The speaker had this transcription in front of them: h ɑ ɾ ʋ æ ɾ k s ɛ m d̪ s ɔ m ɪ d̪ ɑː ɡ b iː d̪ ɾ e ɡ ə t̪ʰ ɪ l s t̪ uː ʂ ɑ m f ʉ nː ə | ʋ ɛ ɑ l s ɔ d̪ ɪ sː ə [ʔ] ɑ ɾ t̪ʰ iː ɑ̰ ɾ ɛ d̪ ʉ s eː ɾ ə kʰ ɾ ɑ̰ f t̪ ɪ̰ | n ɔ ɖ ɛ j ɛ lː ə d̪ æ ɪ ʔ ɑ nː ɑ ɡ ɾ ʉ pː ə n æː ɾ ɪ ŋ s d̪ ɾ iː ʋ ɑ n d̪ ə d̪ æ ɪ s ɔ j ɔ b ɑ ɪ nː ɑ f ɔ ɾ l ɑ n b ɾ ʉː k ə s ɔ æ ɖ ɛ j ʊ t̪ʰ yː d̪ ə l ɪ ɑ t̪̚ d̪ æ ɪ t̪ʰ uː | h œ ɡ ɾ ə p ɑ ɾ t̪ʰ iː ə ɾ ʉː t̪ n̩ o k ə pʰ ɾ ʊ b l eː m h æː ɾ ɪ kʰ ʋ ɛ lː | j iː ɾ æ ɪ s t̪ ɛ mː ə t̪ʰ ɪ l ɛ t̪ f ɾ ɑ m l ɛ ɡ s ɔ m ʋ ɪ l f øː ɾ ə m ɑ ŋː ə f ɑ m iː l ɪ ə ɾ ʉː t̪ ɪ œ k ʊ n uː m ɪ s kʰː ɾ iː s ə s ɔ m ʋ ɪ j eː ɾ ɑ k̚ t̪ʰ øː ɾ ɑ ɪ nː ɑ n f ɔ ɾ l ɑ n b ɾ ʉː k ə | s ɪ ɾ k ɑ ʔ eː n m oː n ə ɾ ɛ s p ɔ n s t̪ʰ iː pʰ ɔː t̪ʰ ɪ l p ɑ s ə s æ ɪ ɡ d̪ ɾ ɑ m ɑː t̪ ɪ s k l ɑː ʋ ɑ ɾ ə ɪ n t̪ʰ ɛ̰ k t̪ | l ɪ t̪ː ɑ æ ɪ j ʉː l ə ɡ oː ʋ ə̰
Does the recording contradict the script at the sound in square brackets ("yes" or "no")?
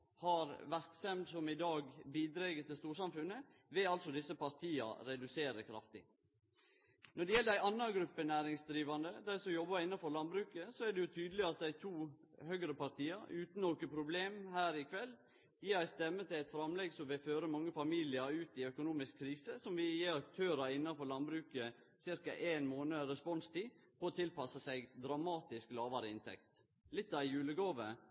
yes